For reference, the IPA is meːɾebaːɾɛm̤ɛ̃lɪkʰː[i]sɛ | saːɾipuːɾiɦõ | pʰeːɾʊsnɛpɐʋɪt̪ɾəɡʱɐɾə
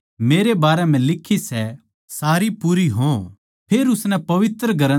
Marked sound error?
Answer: no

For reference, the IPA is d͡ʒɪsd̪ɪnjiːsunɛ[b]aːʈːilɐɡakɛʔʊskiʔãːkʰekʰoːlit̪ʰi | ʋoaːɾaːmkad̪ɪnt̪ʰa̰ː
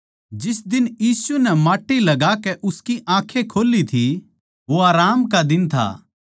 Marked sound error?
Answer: yes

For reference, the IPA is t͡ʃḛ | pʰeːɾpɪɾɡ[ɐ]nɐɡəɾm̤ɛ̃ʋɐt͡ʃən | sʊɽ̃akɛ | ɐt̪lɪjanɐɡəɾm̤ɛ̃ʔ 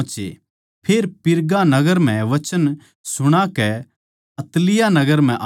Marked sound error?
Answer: yes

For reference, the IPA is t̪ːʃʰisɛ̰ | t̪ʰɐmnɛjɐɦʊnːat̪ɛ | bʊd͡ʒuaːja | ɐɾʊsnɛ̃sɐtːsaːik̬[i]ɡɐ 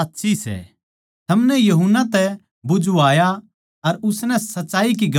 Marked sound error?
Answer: no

